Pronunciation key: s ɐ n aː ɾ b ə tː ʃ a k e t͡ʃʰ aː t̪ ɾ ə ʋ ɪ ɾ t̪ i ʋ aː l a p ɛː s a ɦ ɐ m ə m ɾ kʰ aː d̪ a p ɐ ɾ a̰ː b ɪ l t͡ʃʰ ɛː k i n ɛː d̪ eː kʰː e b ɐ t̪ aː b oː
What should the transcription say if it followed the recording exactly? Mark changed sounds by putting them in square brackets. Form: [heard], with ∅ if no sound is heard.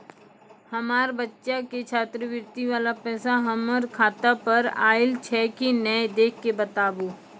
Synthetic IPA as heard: [h] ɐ [m] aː ɾ b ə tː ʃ a k e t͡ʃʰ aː t̪ ɾ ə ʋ ɪ ɾ t̪ i ʋ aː l a p ɛː s a ɦ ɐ m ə [∅] ɾ kʰ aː [t̪] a p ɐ ɾ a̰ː [∅] ɪ l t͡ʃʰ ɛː k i n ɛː d̪ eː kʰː e b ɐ t̪ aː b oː